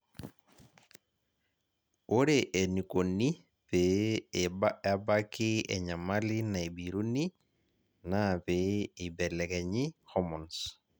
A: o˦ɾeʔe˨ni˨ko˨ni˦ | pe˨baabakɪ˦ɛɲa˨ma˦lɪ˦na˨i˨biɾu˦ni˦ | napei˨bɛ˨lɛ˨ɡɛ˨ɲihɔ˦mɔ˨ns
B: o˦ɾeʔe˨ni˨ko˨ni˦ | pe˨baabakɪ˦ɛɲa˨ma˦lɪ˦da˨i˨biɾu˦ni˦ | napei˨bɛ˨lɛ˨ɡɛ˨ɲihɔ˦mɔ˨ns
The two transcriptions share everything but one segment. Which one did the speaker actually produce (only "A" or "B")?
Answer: A